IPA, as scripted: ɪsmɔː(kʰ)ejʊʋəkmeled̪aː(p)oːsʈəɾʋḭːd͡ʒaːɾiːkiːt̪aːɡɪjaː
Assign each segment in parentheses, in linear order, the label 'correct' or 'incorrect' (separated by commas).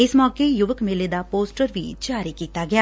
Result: incorrect, correct